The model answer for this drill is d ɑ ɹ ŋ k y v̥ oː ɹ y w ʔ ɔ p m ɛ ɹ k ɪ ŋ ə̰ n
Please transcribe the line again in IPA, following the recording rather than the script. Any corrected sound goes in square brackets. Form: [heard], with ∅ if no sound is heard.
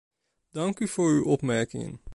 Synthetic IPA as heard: d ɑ [∅] ŋ k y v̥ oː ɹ y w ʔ ɔ p m ɛ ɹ k ɪ ŋ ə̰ n